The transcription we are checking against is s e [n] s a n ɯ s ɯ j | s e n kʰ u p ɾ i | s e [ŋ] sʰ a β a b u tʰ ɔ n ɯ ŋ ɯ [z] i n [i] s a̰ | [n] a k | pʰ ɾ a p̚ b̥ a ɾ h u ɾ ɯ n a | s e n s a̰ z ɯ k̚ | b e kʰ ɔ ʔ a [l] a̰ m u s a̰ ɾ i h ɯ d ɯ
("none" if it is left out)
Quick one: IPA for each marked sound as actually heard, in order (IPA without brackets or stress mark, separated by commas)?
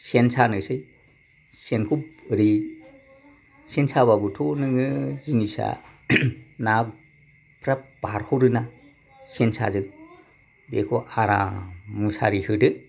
n, n, z, i, n, ɾ